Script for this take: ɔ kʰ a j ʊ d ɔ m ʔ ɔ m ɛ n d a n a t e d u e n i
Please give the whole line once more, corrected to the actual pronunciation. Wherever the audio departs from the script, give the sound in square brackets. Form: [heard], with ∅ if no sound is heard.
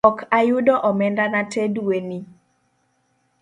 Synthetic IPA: ɔ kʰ a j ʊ d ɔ [∅] ʔ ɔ m ɛ n d a n a t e d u e n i